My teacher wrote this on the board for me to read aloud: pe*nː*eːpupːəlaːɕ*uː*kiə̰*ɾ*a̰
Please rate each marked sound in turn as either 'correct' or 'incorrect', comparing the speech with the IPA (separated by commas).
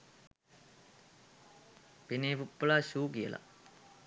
incorrect, correct, incorrect